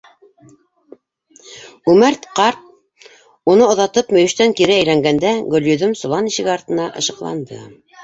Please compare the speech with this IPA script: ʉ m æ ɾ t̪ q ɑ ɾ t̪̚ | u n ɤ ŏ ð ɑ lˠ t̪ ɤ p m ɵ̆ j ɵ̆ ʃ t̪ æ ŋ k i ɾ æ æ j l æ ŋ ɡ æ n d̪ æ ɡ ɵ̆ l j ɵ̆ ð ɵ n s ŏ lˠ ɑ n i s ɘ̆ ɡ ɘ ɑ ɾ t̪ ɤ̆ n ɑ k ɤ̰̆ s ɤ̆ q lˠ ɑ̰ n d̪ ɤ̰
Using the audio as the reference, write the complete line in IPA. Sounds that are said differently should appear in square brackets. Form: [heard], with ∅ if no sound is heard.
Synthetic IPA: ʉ m æ ɾ t̪ q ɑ ɾ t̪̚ | u n ɤ ŏ ð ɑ [∅] t̪ ɤ p m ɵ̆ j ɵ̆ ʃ t̪ æ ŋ k i ɾ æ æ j l æ ŋ ɡ æ n d̪ æ ɡ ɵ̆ l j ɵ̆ ð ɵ [m] s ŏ lˠ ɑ n i [ʃ] ɘ̆ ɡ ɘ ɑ ɾ t̪ ɤ̆ n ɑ [ʔ] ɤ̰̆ [ʃ] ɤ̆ q lˠ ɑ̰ n d̪ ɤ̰